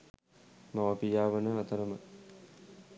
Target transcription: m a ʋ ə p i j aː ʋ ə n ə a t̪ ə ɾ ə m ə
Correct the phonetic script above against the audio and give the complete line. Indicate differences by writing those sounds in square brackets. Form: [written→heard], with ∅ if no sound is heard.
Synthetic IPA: m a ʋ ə p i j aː ʋ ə n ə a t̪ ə ɾ ə m ə